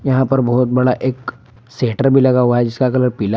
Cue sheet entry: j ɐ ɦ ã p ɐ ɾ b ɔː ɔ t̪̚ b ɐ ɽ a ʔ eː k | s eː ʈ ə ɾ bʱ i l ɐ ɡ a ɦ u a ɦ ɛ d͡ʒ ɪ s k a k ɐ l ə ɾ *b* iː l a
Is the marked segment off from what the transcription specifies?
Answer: yes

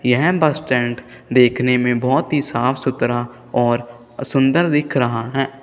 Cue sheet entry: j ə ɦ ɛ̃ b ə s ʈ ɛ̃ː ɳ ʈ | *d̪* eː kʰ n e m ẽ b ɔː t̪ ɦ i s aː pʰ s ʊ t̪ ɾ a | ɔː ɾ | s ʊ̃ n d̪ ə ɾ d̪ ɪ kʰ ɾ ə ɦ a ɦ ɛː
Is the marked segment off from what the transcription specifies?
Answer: no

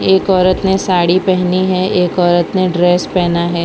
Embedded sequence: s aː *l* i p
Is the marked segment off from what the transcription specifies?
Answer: yes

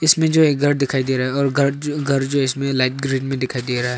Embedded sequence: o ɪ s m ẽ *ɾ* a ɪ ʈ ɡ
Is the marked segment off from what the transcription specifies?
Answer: yes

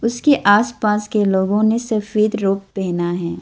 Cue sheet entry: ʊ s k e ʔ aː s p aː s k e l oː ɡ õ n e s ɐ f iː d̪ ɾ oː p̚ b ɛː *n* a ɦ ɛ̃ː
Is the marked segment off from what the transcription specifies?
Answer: no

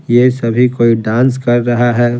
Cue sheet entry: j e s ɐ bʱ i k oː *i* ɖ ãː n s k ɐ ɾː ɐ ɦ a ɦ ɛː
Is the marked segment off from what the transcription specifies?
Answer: no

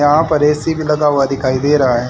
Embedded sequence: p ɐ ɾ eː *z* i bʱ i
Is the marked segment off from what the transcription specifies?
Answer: yes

